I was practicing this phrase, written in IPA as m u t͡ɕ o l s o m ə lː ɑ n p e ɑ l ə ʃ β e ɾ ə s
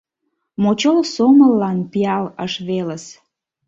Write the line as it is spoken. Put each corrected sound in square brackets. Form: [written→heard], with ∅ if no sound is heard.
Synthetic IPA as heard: m [u→o] t͡ɕ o l s o m ə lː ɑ n p [e→i] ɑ l ə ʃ β e [ɾ→l] ə s